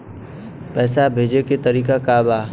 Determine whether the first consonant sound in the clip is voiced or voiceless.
voiceless